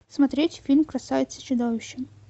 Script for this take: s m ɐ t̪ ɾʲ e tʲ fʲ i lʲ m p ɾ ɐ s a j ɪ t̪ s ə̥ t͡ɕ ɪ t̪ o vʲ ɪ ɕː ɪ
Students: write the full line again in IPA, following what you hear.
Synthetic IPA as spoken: s m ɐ t̪ ɾʲ e tʲ fʲ i lʲ m k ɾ ɐ s a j ɪ t̪ s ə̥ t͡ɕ ɪ d̪ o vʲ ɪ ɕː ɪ